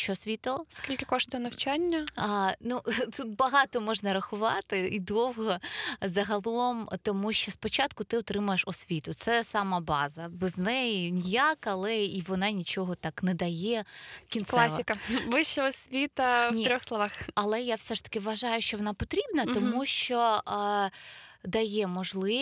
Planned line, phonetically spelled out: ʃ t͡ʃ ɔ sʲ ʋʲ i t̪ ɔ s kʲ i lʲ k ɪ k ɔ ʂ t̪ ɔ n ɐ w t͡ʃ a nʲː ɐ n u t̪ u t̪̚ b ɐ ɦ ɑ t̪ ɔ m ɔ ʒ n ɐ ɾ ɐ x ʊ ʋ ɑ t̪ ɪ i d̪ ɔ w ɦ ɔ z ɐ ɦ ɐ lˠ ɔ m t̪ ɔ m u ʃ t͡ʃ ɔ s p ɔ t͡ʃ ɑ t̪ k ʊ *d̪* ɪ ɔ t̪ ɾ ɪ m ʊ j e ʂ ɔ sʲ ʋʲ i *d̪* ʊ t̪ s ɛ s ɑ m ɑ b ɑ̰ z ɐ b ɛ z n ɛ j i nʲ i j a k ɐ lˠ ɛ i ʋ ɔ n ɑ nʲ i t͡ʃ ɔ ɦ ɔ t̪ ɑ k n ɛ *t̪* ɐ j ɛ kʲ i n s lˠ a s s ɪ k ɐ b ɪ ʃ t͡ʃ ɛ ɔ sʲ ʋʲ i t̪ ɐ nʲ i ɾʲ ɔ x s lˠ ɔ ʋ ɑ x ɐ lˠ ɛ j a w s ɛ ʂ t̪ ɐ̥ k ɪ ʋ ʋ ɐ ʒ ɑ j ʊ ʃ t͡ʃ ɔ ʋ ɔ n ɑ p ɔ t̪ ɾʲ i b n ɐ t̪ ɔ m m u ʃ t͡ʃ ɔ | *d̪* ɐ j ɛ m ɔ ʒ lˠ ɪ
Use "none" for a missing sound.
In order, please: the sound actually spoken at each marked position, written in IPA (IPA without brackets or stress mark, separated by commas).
t̪, t̪, d̪, d̪